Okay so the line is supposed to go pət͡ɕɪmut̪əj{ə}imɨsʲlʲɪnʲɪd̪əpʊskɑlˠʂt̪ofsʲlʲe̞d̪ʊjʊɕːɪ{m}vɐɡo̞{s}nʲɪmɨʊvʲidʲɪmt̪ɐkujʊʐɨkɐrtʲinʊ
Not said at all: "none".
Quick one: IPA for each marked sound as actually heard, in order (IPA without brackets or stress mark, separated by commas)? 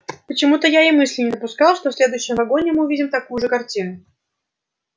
a, m, none